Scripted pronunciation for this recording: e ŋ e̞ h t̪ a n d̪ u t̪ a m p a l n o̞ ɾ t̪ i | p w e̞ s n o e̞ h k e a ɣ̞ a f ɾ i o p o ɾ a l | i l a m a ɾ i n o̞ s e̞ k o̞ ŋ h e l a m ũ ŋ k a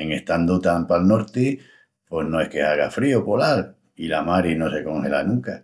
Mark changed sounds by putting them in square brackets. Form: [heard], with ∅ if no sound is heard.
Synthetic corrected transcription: e ŋ e̞ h t̪ a n d̪ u t̪ a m p a l n o̞ ɾ t̪ i | p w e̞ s n o e̞ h k e a ɣ̞ a f ɾ i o p o [l] a l | i l a m a ɾ i n o̞ s e̞ k o̞ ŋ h e l a [n] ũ ŋ k a